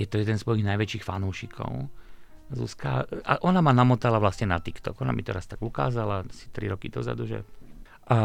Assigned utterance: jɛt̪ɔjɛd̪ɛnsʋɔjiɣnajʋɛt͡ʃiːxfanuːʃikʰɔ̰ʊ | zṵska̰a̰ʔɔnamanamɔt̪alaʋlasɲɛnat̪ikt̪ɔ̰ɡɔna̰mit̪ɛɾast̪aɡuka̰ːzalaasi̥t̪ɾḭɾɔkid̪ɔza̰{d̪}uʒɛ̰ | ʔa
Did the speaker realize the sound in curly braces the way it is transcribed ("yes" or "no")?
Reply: yes